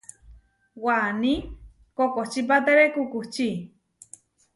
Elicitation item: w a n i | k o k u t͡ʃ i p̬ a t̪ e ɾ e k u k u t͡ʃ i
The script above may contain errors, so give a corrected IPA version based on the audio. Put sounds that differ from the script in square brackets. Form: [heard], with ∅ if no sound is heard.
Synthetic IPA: w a n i | k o k [o] t͡ʃ i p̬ a t̪ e ɾ e k u k u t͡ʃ i